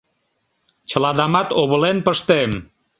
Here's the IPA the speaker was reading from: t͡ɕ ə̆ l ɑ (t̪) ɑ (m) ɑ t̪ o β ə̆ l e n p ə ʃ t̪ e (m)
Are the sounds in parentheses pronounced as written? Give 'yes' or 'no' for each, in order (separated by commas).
no, yes, yes